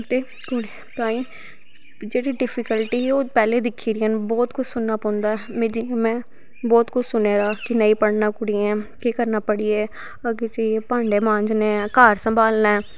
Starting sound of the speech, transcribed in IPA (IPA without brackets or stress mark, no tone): t̪